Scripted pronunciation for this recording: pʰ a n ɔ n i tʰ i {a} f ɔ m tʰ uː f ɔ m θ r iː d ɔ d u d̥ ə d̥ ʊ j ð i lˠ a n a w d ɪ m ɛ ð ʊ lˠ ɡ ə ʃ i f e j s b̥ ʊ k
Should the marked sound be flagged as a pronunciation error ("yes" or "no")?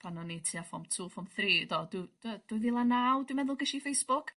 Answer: no